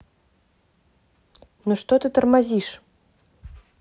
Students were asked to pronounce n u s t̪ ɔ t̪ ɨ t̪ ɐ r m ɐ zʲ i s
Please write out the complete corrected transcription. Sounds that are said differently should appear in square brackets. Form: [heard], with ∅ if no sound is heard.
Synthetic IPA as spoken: n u [ʂ] t̪ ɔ t̪ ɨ t̪ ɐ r m [a] zʲ i [ʂ]